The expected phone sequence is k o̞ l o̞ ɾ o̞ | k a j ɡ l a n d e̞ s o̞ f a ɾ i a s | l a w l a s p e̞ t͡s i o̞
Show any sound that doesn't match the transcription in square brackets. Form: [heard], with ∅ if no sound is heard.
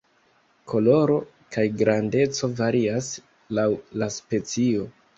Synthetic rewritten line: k o̞ l o̞ ɾ o̞ | k a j ɡ [ɾ] a n d e̞ [t͡s] o̞ [v] a ɾ i a s | l a w l a s p e̞ t͡s i o̞